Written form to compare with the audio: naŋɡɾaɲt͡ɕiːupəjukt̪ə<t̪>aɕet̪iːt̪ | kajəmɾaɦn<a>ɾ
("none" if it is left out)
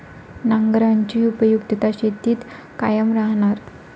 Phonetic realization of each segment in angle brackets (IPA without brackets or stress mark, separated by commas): t̪, a